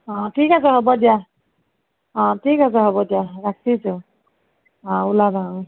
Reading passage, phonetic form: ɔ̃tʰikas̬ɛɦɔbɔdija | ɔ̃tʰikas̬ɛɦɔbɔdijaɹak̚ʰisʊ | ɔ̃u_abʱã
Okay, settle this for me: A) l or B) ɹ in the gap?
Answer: A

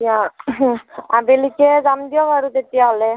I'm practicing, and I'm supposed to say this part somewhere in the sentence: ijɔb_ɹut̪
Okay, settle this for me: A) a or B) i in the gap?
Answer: A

